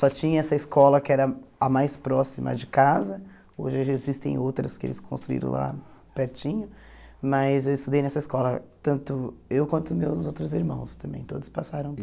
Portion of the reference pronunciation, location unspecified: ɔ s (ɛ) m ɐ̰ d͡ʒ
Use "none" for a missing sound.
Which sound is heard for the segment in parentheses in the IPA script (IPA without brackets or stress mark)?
i